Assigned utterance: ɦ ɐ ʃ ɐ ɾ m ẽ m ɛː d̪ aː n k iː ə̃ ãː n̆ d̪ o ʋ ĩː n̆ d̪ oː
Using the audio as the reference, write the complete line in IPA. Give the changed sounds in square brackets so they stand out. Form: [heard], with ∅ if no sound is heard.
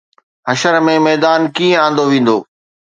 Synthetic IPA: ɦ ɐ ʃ [ə] ɾ m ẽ m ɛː d̪ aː n k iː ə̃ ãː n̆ d̪ o ʋ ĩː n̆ d̪ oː